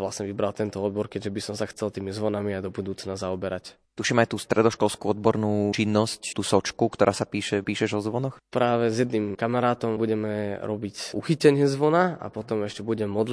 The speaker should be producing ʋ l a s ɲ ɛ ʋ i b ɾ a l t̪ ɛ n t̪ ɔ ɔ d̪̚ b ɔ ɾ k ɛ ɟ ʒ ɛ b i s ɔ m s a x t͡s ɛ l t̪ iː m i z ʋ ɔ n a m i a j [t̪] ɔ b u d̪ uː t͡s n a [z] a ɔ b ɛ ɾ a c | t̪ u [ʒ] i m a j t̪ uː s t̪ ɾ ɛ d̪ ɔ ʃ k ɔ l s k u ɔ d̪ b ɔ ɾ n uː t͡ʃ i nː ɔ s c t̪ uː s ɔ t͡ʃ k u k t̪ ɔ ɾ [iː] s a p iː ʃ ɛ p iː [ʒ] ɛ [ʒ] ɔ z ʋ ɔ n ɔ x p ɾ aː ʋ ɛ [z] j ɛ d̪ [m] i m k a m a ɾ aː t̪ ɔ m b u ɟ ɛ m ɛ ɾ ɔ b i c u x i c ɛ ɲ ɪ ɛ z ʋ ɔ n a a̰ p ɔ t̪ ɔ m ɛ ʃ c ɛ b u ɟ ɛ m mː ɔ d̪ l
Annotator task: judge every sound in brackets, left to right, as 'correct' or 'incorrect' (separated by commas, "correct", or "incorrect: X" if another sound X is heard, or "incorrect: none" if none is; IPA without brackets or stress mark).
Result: incorrect: d̪, correct, incorrect: ʃ, incorrect: aː, incorrect: ʃ, correct, correct, incorrect: n